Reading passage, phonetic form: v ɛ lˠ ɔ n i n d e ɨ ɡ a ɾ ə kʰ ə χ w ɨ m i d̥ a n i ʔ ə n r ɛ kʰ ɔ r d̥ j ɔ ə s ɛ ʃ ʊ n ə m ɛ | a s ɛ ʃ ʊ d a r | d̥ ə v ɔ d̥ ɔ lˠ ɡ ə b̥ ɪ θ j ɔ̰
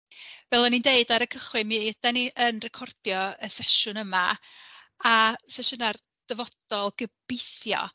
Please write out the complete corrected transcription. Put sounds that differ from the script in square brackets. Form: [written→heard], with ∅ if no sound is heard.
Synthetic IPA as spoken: v ɛ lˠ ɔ n i n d e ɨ [ɡ→d] a ɾ ə kʰ ə χ w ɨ m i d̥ a n i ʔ ə n r ɛ kʰ ɔ r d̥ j ɔ ə s ɛ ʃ ʊ n ə m [ɛ→a] | a s ɛ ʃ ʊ [d→n] a r | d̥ ə v ɔ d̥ ɔ lˠ ɡ ə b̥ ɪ θ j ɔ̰